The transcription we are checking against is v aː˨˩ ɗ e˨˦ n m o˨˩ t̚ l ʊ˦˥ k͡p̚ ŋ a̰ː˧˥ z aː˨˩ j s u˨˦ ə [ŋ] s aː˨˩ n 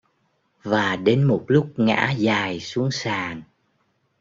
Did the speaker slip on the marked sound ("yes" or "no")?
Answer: no